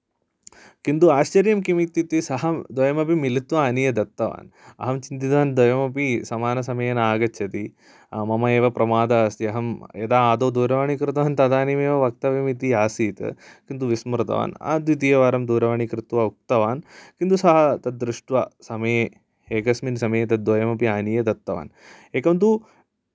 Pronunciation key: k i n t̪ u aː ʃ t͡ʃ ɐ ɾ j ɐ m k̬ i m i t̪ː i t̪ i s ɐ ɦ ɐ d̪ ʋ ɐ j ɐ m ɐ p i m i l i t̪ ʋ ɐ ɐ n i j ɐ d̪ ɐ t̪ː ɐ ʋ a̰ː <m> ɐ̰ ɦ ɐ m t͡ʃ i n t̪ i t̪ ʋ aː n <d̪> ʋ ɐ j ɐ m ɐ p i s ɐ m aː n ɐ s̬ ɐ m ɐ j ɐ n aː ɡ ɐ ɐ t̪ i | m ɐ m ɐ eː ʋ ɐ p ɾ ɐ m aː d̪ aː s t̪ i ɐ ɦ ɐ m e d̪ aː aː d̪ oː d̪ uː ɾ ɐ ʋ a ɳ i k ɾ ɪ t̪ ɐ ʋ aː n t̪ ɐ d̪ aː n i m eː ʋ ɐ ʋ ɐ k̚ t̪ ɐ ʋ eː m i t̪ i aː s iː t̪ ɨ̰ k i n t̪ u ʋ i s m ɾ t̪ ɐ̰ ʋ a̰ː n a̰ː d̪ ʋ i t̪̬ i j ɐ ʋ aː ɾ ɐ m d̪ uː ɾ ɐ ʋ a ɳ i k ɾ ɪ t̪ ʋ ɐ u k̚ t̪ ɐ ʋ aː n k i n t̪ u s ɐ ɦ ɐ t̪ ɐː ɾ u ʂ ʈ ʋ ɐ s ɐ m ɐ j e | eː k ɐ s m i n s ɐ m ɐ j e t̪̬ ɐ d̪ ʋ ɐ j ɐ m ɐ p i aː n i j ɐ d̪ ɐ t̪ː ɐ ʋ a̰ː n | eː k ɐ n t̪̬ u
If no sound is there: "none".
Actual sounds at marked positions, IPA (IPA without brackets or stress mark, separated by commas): n, d̪